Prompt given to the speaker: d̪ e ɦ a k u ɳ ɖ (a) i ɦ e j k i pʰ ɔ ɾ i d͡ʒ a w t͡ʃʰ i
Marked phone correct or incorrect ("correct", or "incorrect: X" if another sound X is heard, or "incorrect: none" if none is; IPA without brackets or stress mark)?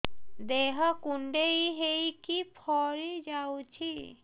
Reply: incorrect: e